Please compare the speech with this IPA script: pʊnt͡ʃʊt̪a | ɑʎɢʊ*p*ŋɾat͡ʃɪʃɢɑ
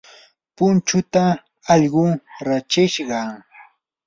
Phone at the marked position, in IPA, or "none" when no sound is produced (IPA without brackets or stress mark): none